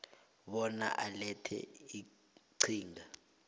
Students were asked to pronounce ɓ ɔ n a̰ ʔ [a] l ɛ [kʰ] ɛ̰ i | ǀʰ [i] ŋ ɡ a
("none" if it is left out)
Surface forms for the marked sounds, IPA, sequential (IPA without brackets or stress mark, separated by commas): a, tʰ, iː